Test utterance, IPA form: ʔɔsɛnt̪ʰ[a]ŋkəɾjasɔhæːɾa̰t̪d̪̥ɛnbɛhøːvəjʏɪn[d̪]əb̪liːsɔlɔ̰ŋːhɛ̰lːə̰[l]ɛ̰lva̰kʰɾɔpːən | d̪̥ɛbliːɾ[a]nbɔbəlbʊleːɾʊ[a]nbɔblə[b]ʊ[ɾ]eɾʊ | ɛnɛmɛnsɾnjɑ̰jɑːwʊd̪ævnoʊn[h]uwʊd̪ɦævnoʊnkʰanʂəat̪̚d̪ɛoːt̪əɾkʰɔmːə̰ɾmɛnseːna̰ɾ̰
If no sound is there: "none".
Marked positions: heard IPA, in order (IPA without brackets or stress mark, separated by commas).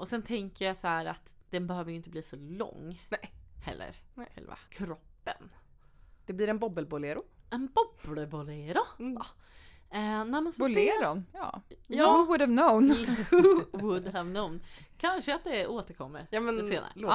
ɛ, t̪, ɾ, ɛ, ɛ, b, l, h